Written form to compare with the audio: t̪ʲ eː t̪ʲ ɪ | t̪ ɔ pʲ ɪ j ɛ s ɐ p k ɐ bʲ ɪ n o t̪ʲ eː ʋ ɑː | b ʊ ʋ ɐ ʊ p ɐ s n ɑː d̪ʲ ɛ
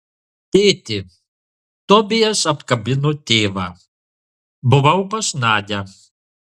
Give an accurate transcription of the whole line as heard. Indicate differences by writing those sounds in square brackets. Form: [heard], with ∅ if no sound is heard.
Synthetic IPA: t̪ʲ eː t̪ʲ ɪ | t̪ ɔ [bʲ] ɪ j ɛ s ɐ p k ɐ bʲ ɪ n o t̪ʲ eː ʋ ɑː | b ʊ ʋ ɐ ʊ p ɐ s n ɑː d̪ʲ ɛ